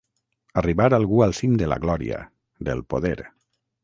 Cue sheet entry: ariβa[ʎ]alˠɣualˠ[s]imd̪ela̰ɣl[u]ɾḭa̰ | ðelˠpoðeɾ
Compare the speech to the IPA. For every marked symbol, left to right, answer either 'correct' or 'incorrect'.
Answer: incorrect, correct, incorrect

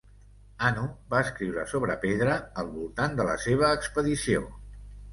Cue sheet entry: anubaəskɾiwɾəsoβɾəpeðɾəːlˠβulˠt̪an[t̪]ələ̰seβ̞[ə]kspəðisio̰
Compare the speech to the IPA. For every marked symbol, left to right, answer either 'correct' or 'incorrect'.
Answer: incorrect, incorrect

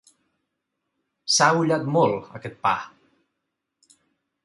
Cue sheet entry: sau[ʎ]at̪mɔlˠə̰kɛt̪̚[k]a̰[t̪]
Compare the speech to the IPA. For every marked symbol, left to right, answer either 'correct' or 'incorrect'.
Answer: correct, incorrect, incorrect

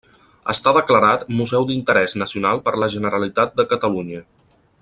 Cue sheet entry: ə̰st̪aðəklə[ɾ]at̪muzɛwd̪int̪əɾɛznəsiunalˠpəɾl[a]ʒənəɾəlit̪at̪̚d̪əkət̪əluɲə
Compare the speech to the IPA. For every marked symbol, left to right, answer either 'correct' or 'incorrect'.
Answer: correct, incorrect

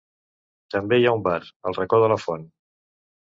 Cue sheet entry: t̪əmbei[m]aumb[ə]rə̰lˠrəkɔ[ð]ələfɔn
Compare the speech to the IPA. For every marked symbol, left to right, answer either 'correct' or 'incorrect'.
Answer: incorrect, incorrect, correct

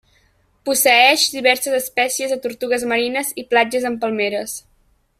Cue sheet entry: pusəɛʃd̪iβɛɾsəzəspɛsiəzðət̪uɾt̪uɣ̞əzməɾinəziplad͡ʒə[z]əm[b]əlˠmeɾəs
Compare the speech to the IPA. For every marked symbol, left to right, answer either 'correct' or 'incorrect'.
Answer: correct, incorrect

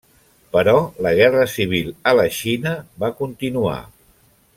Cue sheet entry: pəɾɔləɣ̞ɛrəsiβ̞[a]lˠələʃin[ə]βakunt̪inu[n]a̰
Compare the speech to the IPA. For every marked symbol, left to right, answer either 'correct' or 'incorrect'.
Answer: incorrect, correct, incorrect

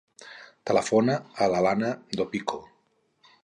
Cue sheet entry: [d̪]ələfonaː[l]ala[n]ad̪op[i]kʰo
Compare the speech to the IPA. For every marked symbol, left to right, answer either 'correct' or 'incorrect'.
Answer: incorrect, correct, correct, correct

